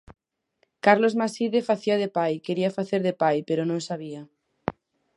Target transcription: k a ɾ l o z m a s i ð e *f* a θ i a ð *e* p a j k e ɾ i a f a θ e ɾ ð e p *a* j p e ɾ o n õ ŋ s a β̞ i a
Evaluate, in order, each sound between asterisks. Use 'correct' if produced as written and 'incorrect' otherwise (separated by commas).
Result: correct, correct, correct